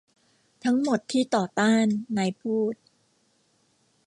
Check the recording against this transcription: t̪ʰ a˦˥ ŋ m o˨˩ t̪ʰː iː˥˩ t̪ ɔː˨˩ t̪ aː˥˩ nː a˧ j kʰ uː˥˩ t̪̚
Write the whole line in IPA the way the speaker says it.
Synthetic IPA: t̪ʰ a˦˥ ŋ m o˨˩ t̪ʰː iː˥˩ t̪ ɔː˨˩ t̪ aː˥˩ nː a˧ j pʰ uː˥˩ t̪̚